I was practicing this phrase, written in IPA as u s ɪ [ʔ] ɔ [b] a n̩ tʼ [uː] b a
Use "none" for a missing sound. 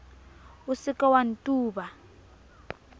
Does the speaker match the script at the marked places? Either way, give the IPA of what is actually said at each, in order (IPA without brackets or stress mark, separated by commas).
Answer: k, w, uː